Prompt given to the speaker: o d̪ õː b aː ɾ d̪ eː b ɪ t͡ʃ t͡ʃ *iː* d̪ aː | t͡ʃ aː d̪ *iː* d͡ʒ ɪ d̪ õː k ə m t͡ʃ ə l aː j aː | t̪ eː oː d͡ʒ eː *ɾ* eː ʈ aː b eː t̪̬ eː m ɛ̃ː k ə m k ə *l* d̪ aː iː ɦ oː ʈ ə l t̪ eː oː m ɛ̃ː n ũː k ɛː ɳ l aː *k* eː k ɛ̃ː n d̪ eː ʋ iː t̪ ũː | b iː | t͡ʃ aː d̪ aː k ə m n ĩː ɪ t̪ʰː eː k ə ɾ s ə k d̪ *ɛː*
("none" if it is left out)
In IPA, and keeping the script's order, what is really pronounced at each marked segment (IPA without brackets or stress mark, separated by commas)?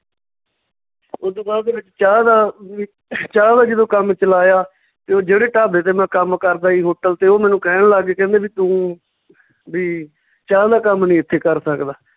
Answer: aː, aː, ɽ, ɾ, ɡ, aː